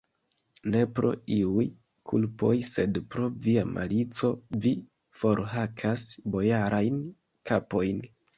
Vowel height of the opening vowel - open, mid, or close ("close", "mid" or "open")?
mid